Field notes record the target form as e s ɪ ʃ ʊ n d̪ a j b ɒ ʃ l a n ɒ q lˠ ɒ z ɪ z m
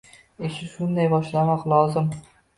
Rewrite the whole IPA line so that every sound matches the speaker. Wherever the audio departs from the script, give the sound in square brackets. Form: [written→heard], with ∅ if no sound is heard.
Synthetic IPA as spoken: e [s→ʃ] ɪ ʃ ʊ n d̪ a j b ɒ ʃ l a [n→m] ɒ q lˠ ɒ z ɪ [z→∅] m